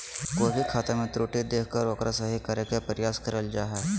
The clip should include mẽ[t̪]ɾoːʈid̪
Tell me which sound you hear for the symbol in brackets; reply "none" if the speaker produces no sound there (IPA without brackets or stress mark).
t̪